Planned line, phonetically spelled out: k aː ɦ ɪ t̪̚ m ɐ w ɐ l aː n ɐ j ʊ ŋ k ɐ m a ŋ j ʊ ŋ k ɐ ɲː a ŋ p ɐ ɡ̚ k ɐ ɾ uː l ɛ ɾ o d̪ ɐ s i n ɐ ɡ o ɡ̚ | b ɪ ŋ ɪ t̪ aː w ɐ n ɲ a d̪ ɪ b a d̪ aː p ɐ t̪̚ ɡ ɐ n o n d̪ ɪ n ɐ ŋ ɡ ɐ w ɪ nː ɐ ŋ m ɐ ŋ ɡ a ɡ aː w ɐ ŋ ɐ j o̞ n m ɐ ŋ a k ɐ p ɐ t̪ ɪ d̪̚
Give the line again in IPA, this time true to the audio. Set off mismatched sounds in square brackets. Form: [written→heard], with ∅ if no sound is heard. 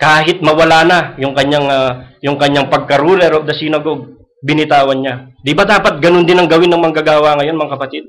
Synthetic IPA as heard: k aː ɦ ɪ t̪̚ m ɐ w ɐ l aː n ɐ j ʊ ŋ k ɐ [m→ɲ] a ŋ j ʊ ŋ k ɐ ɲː a ŋ p ɐ ɡ̚ k ɐ ɾ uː l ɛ ɾ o d̪ ɐ s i n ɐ ɡ o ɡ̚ | b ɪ [ŋ→n] ɪ t̪ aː w ɐ n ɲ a d̪ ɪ b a d̪ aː p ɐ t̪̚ ɡ ɐ n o n d̪ ɪ n ɐ ŋ ɡ ɐ w ɪ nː ɐ ŋ m ɐ ŋ ɡ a ɡ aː w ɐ ŋ ɐ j o̞ n m ɐ ŋ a k ɐ p ɐ t̪ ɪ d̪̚